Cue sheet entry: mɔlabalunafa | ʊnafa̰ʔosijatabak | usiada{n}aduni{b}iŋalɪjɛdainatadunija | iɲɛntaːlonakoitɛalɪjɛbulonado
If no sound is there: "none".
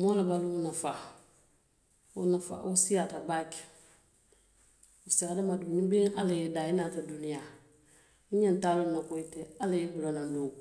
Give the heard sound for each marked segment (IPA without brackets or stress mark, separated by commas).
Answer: m, b